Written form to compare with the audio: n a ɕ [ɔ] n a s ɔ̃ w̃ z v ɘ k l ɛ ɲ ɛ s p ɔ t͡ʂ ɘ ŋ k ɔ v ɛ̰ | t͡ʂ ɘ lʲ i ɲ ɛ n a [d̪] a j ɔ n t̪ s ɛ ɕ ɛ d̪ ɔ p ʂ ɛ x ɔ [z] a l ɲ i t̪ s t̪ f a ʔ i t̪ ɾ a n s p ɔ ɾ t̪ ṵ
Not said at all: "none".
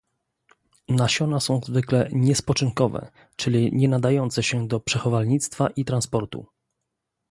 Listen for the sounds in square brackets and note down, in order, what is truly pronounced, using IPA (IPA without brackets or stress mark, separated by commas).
ɔ, d̪, v